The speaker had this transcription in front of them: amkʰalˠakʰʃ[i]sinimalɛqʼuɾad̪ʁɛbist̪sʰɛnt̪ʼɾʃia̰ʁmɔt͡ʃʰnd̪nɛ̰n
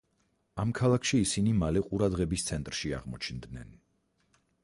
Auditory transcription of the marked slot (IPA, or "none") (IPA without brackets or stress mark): iː